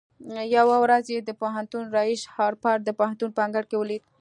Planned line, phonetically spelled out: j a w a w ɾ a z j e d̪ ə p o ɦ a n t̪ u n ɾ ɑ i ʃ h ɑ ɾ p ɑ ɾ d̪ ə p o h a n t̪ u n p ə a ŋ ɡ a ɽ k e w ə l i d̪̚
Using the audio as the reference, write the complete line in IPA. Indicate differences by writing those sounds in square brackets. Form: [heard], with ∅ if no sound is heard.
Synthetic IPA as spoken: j a w a w ɾ a z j e d̪ ə p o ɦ a n t̪ u n ɾ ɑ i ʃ h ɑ ɾ p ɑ ɾ d̪ ə p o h a n t̪ u n p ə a ŋ ɡ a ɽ k e w ə l i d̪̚